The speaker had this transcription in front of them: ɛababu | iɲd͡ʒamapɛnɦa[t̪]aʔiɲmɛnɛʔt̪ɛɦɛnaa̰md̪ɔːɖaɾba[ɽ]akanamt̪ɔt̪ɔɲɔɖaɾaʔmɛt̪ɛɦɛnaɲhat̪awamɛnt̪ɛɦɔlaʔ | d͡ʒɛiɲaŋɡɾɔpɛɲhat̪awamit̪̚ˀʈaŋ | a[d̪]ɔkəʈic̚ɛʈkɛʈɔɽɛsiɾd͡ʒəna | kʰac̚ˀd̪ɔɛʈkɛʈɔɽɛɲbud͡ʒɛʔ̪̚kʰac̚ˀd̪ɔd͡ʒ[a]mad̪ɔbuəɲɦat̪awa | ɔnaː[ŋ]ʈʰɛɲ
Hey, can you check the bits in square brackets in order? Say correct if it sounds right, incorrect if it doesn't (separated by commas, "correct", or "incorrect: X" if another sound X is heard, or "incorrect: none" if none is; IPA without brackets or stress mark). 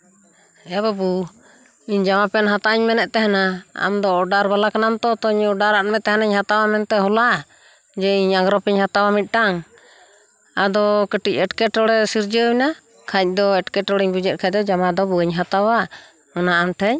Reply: correct, incorrect: l, correct, correct, incorrect: m